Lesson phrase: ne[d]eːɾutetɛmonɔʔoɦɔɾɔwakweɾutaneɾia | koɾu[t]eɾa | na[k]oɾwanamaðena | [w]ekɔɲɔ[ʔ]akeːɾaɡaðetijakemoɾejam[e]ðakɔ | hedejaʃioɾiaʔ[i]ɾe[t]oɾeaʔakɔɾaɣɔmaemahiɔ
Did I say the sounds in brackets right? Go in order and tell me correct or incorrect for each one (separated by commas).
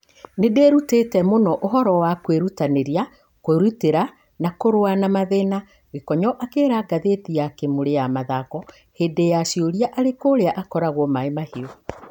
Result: correct, correct, correct, incorrect, correct, incorrect, incorrect, incorrect